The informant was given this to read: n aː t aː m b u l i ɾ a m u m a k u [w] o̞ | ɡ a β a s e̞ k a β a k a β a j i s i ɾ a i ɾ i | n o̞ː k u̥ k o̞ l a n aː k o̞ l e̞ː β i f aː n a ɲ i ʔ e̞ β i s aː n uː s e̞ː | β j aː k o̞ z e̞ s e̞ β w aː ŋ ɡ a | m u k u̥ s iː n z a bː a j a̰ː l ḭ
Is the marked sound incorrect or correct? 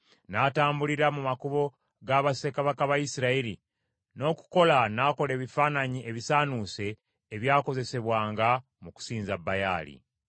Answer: incorrect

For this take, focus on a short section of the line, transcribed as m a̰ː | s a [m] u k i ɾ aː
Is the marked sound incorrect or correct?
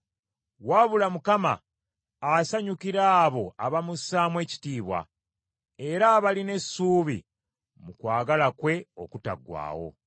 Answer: incorrect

